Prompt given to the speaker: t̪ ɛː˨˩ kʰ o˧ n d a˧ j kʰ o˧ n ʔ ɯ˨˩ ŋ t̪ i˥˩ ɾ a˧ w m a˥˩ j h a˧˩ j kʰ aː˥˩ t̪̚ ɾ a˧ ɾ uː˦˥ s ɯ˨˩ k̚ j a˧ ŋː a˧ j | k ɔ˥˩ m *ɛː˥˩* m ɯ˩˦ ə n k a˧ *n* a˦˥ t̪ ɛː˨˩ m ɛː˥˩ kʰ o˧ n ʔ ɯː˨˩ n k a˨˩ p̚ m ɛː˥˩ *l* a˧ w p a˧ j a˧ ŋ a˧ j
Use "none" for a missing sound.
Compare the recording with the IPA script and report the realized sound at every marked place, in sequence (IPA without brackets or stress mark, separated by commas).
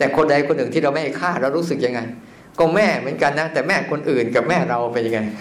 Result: ɛː˥˩, nː, ɾ